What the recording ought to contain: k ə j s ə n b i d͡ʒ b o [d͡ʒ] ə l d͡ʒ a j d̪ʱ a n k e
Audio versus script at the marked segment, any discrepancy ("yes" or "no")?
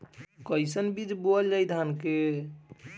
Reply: yes